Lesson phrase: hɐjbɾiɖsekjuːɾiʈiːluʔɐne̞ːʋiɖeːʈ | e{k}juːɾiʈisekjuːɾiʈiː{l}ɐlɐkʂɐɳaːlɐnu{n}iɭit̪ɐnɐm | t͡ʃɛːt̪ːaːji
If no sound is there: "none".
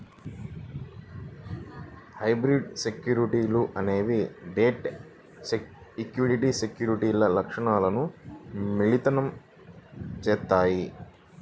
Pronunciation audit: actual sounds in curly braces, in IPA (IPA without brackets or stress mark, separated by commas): k, l, m